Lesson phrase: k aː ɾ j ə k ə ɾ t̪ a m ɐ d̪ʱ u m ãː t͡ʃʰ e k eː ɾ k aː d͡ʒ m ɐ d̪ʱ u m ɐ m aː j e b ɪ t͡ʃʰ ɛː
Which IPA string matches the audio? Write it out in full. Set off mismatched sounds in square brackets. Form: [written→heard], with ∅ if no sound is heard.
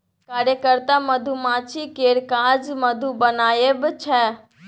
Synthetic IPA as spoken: k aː ɾ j ə k ə ɾ t̪ a m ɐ d̪ʱ u m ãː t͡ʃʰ [e→i] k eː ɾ k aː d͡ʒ m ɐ d̪ʱ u [m→b] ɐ [m→n] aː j e b ɪ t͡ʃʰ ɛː